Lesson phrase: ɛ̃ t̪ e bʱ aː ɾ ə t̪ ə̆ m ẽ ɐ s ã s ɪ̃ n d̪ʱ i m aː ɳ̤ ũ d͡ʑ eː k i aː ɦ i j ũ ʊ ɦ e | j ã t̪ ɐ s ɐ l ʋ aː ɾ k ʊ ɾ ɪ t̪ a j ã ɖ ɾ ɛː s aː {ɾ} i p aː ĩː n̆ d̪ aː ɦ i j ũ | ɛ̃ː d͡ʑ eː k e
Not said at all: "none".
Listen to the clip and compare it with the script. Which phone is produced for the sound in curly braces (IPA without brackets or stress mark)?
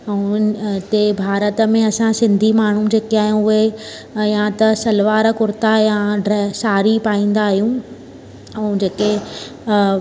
ɾ